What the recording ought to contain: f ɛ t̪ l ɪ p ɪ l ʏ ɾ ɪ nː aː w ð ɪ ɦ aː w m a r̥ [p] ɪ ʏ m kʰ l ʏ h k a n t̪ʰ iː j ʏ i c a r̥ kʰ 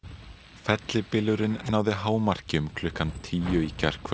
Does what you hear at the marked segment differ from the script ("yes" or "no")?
yes